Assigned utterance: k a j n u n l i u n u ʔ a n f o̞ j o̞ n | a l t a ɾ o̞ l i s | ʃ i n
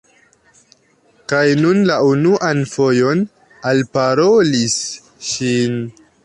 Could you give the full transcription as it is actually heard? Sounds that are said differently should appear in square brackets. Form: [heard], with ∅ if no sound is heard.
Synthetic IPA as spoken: k a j n u n l [a] u n u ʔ a n f o̞ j o̞ n | a l [p] a ɾ o̞ l i s | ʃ i n